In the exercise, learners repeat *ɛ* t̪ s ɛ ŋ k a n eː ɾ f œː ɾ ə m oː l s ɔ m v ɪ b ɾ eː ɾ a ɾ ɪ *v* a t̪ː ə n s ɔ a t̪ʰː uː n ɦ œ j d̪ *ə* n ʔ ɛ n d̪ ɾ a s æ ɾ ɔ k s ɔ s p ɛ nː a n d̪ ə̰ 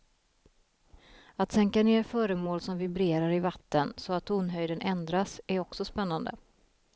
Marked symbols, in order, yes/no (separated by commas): no, yes, yes